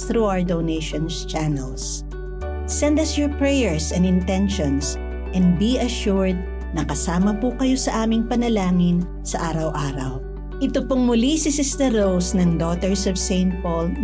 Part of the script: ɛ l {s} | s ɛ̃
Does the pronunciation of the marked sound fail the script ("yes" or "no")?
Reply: no